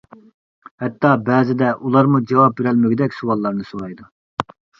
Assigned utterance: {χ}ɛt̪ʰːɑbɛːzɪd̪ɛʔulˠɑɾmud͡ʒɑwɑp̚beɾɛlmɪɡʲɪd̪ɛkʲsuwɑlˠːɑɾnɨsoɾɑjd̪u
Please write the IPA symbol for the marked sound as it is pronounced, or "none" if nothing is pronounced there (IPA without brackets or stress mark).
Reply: h